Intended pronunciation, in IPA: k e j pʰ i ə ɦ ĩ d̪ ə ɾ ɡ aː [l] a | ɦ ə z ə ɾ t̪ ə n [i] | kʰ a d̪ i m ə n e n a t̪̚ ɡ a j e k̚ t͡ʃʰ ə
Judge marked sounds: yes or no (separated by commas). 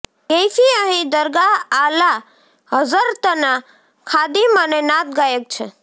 yes, no